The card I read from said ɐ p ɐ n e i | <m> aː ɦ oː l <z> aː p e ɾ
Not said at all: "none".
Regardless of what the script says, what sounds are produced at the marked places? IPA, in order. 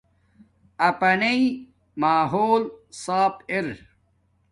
m, s

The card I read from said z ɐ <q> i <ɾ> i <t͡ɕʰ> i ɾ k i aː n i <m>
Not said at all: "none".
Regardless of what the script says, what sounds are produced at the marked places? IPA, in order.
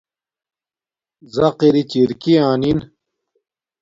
q, ɾ, t͡ɕ, n

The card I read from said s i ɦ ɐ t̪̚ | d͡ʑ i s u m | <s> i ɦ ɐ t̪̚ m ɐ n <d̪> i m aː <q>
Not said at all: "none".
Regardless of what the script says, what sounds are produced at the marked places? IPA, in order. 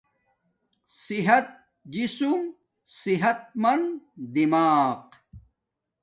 s, d̪, q

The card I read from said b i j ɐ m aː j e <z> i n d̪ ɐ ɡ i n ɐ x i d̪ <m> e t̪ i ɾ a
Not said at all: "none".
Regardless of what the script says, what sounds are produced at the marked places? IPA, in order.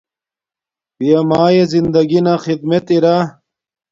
z, m

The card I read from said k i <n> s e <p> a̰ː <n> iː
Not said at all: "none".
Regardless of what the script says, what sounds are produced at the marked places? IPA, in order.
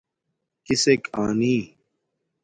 none, k, n

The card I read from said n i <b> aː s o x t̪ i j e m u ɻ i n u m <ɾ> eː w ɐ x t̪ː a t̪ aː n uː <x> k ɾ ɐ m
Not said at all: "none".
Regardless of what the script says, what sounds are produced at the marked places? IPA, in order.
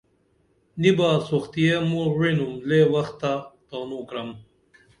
b, l, none

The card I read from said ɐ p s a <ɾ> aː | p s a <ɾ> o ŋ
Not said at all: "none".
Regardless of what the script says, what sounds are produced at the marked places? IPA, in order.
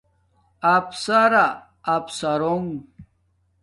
ɾ, ɾ

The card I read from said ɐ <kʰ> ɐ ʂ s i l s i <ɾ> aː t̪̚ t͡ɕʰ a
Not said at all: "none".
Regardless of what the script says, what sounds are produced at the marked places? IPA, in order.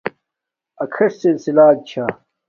kʰ, l

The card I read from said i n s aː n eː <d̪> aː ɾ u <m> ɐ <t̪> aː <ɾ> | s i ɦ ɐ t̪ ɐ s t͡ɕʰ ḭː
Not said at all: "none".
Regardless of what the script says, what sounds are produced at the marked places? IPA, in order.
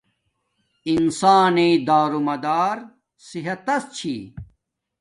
d̪, m, d̪, ɾ

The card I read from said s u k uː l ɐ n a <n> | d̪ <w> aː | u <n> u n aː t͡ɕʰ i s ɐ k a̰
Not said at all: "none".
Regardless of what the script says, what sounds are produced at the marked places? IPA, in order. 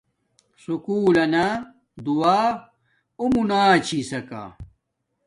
none, u, m

